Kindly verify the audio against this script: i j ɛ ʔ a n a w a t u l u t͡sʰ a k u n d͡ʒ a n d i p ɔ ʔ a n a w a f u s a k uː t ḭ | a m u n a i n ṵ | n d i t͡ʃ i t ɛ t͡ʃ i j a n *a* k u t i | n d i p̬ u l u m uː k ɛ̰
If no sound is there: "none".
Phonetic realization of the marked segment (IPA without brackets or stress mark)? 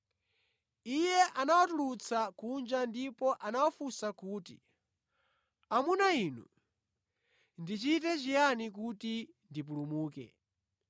i